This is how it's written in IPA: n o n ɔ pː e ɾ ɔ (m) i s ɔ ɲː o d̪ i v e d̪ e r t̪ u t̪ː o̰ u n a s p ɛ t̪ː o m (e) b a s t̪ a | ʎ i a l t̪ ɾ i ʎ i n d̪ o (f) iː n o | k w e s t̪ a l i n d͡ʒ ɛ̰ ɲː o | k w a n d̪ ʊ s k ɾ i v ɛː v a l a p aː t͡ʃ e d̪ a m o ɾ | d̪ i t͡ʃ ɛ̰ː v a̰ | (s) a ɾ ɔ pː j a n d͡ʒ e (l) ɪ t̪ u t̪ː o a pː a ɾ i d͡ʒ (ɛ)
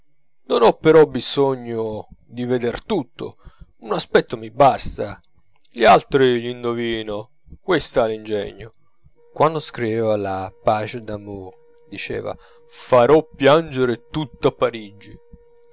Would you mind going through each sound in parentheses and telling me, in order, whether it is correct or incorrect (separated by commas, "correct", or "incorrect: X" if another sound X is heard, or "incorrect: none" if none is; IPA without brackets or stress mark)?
incorrect: b, incorrect: i, incorrect: v, incorrect: f, incorrect: ɾ, incorrect: i